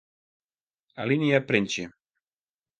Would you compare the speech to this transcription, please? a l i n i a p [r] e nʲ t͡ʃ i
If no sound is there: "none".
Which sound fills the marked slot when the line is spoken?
ɾ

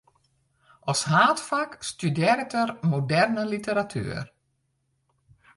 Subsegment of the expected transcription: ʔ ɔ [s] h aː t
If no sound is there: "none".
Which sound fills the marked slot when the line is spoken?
s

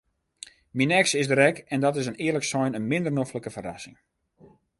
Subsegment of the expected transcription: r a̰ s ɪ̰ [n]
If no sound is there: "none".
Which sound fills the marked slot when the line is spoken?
ŋ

